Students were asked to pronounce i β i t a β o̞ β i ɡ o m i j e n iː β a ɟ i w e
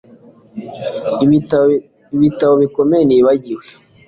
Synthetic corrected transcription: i β i t a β o̞ β i k o m e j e n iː β a ɟ i w e